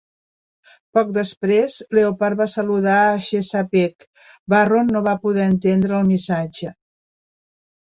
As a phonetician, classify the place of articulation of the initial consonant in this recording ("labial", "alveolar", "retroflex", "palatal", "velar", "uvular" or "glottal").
labial